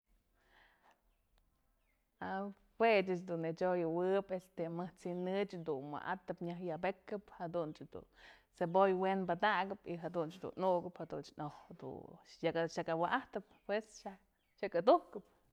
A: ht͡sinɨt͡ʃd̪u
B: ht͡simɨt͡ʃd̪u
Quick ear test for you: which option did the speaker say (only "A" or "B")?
A